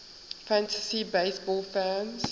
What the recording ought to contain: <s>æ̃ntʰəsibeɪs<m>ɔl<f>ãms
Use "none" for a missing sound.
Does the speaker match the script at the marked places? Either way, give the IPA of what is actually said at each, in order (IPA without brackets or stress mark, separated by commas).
f, b, f